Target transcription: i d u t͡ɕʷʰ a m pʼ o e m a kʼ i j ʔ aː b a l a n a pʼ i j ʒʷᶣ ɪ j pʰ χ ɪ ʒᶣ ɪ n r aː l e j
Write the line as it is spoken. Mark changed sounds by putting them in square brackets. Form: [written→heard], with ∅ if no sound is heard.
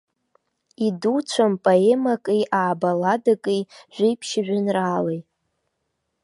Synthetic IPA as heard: i d u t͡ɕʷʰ a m pʼ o e m a kʼ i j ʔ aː b a l a [n→d] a [pʼ→kʼ] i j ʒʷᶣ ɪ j pʰ [χ→ʃ] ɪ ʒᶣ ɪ n r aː l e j